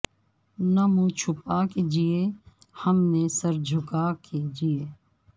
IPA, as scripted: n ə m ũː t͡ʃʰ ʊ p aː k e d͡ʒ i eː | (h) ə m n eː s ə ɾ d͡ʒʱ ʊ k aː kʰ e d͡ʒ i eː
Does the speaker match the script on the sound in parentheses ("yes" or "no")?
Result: yes